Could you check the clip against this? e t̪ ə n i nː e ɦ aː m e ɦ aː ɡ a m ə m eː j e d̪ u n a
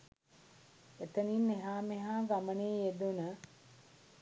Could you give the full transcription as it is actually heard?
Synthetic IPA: e t̪ ə n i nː e ɦ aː m e ɦ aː ɡ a m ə n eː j e d̪ u n ə